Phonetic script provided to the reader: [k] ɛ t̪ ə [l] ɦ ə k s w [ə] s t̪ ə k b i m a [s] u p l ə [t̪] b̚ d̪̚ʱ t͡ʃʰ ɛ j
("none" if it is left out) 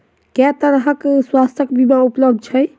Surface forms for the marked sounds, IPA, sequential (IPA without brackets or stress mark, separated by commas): k, ɾ, a, none, none